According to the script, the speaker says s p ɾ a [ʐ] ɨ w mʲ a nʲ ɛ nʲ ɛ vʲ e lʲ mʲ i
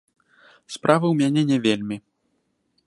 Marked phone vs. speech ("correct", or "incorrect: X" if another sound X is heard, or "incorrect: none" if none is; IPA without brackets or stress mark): incorrect: v